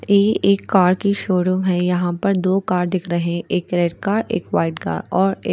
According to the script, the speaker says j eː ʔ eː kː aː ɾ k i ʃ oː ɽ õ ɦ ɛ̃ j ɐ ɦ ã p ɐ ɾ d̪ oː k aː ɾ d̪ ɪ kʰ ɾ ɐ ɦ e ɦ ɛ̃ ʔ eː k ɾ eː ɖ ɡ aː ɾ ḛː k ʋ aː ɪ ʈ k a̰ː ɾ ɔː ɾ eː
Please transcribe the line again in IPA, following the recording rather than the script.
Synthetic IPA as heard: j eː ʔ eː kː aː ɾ k i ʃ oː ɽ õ ɦ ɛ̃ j ɐ ɦ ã p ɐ ɾ d̪ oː k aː ɾ d̪ ɪ kʰ ɾ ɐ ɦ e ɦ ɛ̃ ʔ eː k ɾ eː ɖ k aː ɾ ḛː k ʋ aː ɪ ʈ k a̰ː ɾ ɔː ɾ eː